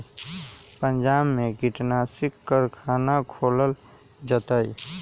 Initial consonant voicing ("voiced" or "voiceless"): voiceless